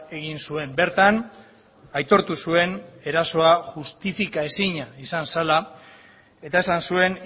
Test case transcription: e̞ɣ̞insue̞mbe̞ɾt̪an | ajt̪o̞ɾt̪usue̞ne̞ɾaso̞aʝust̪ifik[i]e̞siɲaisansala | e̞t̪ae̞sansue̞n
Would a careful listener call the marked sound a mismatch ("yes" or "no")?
yes